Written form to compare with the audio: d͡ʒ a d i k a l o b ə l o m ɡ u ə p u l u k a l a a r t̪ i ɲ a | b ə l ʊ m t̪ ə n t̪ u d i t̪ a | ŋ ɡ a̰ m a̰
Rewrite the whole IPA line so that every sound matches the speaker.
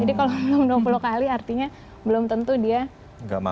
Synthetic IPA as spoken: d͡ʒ a d i k a l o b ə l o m d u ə p u l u k a l i a r t̪ i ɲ a | b ə l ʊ m t̪ ə n t̪ u d i a | ŋ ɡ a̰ m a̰